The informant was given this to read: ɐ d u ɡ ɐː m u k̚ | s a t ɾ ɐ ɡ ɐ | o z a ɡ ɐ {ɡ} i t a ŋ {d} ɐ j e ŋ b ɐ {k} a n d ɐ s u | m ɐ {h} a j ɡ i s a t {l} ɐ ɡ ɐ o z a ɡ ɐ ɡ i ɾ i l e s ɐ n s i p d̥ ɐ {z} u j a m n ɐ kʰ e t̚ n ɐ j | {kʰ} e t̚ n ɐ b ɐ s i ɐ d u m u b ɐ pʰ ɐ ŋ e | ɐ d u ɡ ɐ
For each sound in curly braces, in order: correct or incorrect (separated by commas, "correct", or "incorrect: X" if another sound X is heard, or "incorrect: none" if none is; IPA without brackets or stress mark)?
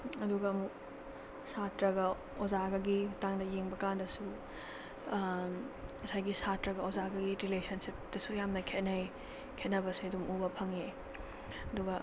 correct, correct, correct, incorrect: s, incorrect: ɾ, incorrect: s, correct